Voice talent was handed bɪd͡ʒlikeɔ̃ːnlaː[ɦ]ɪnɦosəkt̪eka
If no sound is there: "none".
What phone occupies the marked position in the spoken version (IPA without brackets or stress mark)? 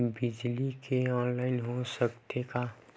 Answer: none